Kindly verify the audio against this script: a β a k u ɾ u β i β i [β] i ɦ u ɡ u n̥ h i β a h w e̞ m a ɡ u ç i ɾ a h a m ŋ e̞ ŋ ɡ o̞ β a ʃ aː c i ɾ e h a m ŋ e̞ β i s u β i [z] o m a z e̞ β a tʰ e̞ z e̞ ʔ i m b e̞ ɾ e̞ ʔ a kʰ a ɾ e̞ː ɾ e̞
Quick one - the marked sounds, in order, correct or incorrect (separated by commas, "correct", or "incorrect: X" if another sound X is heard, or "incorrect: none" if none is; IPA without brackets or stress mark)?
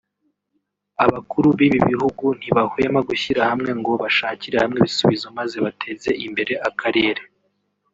correct, correct